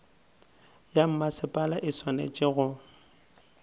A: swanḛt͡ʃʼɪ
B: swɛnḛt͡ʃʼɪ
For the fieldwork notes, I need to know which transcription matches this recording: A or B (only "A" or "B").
A